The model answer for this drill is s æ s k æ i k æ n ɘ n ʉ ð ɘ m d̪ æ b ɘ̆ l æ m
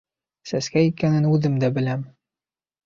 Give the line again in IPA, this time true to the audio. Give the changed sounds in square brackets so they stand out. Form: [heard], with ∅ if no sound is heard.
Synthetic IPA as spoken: s æ s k æ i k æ n ɘ n ʉ ð ɘ m d̪ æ b ɘ̆ l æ m